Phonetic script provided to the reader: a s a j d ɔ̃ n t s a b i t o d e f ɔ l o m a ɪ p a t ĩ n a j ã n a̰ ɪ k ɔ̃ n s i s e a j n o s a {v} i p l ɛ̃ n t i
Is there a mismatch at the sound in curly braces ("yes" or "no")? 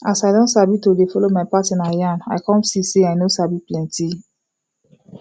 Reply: yes